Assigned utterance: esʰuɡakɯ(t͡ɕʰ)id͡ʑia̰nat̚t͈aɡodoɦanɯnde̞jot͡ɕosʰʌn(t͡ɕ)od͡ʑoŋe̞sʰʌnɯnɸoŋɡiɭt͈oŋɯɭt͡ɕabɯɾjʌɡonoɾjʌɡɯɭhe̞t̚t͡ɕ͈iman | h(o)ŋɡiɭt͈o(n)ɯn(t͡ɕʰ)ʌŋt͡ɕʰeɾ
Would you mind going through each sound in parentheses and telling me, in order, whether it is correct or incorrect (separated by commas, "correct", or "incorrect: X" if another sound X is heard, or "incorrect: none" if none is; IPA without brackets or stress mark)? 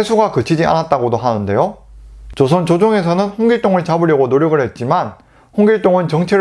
correct, correct, correct, incorrect: ŋ, incorrect: t͡ɕ